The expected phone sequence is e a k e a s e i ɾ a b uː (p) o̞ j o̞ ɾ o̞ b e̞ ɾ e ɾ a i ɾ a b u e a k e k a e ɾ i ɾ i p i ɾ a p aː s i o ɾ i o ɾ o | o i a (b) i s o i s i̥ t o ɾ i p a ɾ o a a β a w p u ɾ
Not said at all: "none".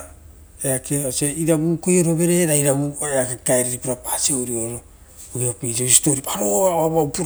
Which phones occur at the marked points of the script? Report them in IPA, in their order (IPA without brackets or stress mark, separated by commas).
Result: k, p